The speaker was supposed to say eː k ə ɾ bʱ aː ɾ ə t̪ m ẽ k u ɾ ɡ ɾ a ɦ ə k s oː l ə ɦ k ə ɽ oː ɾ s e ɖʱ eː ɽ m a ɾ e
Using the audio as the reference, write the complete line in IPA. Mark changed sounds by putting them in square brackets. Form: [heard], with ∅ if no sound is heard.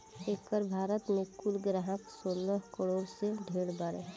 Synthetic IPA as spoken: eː k ə ɾ bʱ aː ɾ ə t̪ m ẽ k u [l] ɡ ɾ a ɦ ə k s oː l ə ɦ k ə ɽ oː ɾ s e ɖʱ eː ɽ [b] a ɾ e